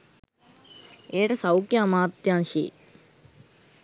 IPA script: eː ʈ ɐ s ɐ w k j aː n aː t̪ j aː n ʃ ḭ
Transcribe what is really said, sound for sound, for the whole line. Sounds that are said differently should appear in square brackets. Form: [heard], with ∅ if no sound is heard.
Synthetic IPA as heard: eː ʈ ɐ s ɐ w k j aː [m] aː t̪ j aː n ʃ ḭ